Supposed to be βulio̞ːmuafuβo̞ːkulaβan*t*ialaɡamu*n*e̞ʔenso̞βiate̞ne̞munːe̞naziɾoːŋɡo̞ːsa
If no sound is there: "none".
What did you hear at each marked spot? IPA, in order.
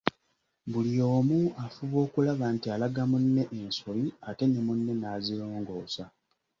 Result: t, nː

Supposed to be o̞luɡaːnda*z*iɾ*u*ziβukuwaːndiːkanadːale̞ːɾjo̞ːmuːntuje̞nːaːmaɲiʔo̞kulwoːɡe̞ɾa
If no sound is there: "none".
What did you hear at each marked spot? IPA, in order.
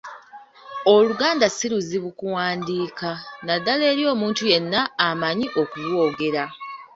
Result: s, u

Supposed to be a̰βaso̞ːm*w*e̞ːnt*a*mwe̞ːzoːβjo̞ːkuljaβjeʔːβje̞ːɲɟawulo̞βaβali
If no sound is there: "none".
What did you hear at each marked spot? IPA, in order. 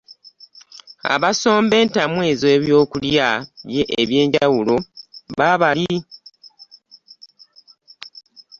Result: b, a

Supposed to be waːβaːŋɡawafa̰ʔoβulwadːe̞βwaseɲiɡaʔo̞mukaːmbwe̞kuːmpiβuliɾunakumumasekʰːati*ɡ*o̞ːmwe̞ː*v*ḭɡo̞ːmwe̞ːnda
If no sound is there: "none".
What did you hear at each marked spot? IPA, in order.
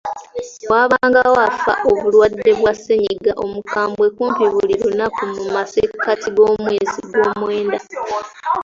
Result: ɡ, z

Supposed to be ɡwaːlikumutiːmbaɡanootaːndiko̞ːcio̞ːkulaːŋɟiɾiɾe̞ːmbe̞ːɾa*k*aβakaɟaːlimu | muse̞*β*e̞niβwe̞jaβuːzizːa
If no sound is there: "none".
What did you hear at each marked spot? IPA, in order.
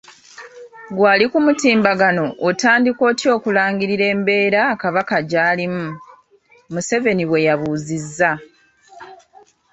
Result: k, v

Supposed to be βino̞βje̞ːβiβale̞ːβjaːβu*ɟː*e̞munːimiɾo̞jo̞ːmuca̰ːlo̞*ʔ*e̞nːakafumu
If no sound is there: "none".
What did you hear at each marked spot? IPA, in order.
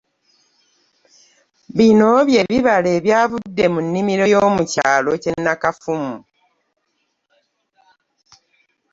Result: dː, c

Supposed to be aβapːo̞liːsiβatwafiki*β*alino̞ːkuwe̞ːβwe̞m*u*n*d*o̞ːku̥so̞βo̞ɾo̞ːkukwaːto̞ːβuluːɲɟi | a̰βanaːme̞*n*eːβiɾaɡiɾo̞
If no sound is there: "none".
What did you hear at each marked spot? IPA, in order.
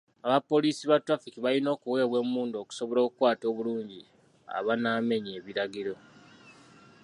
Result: β, uː, d, ɲ

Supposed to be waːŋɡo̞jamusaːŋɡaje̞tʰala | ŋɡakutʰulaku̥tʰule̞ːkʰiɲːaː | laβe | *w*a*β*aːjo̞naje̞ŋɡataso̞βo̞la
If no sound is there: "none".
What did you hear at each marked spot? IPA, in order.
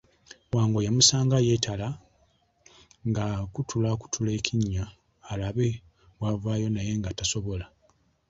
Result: w, v

